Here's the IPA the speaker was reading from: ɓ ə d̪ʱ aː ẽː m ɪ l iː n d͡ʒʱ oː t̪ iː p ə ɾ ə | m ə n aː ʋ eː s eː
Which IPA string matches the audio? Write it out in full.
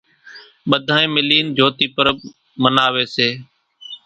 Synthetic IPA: ɓ ə d̪ʱ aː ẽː m ɪ l iː n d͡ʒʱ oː t̪ iː p ə ɾ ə | m ə n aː ʋ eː s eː